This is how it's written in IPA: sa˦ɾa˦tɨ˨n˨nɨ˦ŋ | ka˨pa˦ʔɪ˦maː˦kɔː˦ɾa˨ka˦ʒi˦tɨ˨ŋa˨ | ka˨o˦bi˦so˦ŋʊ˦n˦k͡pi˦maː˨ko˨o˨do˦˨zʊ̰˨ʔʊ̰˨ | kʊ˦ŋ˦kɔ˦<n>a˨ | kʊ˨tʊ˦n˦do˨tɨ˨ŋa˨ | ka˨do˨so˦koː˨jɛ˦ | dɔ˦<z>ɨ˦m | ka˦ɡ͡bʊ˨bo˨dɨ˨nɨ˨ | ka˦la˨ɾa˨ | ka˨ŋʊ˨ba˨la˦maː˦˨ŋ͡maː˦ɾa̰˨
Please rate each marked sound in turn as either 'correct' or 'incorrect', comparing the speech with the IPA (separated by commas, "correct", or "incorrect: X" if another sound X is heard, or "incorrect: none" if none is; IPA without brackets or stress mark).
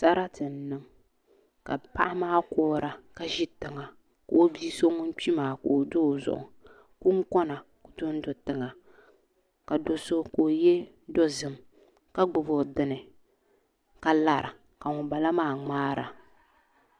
correct, correct